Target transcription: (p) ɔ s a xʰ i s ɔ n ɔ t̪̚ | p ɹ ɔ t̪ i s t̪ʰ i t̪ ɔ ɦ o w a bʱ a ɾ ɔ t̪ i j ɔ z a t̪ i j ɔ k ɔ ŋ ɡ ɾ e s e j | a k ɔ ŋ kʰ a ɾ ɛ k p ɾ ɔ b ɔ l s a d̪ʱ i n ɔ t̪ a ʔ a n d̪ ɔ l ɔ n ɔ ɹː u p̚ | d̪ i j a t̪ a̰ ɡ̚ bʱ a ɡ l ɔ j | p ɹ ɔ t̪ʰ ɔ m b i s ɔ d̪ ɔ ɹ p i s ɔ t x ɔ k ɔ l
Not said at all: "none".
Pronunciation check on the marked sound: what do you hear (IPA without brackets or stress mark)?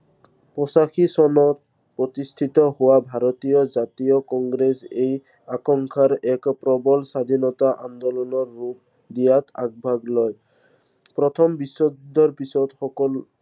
p